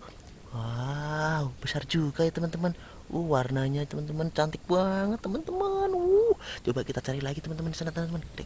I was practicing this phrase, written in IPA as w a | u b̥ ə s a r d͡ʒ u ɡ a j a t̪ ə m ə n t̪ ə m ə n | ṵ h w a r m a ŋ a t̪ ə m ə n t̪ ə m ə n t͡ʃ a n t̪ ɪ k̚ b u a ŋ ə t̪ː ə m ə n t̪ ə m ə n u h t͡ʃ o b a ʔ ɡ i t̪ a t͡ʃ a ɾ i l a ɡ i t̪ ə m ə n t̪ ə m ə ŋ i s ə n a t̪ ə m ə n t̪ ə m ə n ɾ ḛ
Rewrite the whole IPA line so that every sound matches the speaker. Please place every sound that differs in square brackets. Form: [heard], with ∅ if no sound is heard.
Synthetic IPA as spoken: w a | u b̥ ə s a r d͡ʒ u ɡ a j a t̪ ə m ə n t̪ ə m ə n | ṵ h w a r [n] a [ɲ] a t̪ ə m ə n t̪ ə m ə n t͡ʃ a n t̪ ɪ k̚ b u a ŋ ə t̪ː ə m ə n t̪ ə m ə n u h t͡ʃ o b a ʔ [k] i t̪ a t͡ʃ a ɾ i l a ɡ i t̪ ə m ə n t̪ ə m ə [n] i s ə n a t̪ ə m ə n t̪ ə m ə n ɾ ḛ